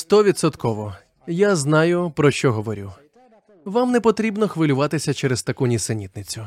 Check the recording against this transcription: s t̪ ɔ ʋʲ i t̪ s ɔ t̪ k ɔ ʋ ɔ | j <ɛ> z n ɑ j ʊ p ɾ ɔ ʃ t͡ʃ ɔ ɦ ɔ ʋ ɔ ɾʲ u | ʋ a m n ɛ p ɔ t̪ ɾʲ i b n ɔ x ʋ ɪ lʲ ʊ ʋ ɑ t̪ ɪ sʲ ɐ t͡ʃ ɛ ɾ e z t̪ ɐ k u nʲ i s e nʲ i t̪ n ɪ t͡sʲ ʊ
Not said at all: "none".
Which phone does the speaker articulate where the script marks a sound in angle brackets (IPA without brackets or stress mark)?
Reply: a